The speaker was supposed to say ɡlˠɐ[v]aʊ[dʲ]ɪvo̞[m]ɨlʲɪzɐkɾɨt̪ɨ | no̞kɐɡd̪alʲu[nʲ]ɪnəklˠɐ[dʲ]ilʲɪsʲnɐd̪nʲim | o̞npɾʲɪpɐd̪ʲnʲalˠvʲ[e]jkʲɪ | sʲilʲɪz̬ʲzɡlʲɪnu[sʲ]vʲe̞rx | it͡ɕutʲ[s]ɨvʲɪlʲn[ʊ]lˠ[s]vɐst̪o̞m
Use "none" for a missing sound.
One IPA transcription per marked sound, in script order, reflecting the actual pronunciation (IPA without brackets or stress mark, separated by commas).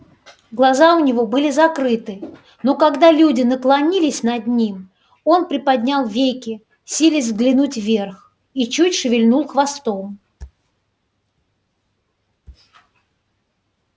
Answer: z, nʲ, b, dʲ, nʲ, e, tʲ, ʂ, u, x